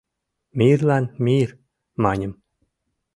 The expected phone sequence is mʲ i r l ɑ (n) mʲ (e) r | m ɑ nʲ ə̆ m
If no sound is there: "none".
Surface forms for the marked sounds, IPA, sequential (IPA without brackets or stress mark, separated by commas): n, i